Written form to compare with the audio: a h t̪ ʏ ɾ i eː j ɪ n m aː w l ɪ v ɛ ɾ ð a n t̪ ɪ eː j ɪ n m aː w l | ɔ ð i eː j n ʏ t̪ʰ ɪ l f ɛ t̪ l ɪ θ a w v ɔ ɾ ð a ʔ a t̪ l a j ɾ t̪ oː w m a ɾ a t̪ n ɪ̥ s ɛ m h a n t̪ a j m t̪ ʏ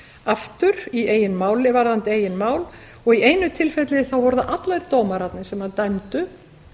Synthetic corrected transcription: a f t̪ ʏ ɾ i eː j ɪ n m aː w l ɪ v a ɾ ð a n t̪ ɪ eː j ɪ n m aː w l | ɔ ɣ i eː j n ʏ t̪ʰ ɪ l f ɛ t̪ l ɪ θ a w v ɔ ɾ ð a ʔ a t̪ l a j ɾ t̪ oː w m a ɾ a t̪ n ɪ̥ s ɛ m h a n t̪ a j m t̪ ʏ